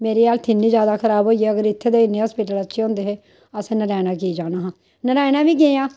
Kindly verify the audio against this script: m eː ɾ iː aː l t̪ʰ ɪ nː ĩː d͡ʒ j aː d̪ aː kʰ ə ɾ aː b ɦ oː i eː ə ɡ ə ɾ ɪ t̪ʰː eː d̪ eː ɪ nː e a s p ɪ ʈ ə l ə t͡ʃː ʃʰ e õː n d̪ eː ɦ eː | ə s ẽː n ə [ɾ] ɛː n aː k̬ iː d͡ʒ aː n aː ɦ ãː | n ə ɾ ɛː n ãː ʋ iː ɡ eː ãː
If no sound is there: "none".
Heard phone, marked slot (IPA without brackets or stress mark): ɾ